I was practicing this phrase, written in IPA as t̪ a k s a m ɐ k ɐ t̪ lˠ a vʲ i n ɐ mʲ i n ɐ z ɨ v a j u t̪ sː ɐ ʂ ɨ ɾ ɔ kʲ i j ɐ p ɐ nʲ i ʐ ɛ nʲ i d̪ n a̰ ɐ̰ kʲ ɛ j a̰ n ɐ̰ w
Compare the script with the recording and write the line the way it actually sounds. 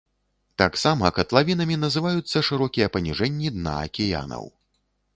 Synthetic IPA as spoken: t̪ a k s a m ɐ k ɐ t̪ lˠ a vʲ i n ɐ mʲ i n ɐ z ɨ v a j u t̪ sː ɐ ʂ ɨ ɾ ɔ kʲ i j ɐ p ɐ nʲ i ʐ ɛ nʲː i d̪ n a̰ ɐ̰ kʲ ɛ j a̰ n ɐ̰ w